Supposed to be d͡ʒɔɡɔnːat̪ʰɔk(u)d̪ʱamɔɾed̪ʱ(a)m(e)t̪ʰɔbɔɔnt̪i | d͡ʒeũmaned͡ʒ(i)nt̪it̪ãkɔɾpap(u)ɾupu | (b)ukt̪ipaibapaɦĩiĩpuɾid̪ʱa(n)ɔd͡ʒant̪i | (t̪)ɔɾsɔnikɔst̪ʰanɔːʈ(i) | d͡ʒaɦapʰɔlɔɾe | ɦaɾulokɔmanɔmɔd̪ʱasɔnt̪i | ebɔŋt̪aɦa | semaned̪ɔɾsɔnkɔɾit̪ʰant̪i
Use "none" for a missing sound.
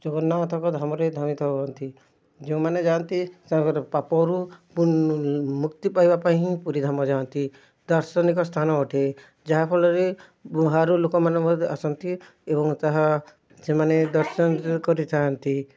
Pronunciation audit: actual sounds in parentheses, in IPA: ɔ, a, i, a, ɔ, m, m, d̪, e

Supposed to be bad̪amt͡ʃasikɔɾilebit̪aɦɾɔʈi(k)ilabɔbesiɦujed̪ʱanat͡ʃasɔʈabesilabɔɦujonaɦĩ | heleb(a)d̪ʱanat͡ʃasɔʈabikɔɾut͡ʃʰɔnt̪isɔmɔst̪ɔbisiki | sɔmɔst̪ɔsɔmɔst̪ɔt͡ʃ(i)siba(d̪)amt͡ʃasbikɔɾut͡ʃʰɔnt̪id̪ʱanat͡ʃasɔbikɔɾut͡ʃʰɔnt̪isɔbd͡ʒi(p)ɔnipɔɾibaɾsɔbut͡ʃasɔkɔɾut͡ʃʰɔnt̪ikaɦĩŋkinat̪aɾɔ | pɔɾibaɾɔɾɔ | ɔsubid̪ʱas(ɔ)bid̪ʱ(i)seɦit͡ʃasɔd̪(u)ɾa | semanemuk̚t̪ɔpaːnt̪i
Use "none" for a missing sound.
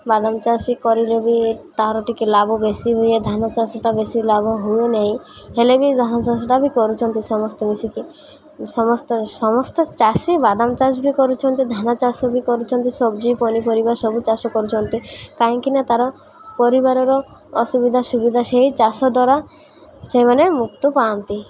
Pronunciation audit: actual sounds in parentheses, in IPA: k, i, a, d̪, p, u, a, ɔ

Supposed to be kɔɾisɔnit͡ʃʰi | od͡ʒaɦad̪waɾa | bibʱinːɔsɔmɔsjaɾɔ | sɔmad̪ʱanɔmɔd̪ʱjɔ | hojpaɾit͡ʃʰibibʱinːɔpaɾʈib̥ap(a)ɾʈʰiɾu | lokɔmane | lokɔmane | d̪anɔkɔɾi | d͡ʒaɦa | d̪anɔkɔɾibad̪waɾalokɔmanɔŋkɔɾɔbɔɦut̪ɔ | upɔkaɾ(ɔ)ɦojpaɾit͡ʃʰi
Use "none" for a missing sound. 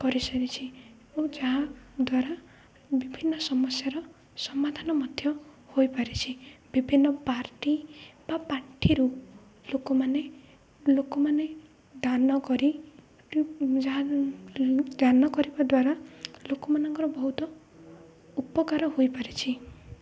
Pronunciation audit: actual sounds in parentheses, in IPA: a, ɔ

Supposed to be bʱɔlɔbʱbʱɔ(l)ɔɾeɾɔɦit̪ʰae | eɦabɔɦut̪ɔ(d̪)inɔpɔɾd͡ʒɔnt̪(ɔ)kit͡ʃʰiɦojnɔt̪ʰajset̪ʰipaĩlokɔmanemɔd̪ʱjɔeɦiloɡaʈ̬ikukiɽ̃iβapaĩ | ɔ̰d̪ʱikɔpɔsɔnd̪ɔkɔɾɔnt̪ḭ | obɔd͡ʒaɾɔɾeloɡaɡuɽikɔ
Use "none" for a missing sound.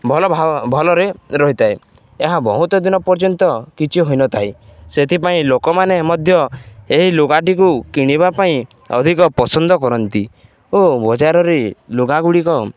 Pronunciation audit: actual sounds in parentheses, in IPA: l, d̪, ɔ

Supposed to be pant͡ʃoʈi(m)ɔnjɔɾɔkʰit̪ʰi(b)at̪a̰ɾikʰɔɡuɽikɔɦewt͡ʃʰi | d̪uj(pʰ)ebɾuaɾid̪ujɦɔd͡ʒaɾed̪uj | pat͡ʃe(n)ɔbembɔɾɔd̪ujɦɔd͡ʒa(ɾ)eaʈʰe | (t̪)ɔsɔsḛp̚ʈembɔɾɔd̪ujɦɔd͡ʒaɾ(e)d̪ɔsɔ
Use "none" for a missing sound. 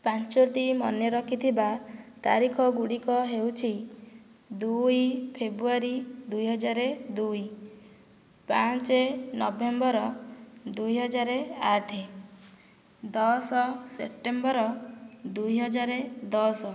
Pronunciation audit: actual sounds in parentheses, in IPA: m, b, pʰ, n, ɾ, d̪, e

